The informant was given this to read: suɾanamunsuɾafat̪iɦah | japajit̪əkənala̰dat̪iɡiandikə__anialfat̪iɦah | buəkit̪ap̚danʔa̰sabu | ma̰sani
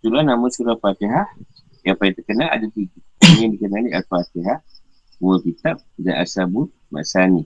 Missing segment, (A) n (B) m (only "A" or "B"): A